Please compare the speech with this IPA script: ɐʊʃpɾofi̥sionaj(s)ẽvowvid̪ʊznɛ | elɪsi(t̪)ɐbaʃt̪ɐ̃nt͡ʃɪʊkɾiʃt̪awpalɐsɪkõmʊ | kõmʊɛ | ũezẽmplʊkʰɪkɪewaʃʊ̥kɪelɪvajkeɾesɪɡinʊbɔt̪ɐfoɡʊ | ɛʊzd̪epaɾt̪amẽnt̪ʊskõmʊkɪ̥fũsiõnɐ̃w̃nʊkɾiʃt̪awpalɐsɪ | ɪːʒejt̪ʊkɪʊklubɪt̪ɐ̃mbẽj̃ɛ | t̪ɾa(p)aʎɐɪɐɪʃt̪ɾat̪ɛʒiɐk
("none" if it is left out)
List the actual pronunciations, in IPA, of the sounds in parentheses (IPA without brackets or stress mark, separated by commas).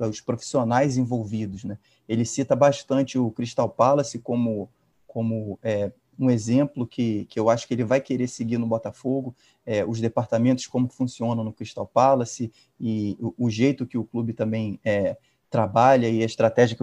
z, t̪, b